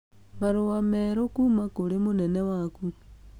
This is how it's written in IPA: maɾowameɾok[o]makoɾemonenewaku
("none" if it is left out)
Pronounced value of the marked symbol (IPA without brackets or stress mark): u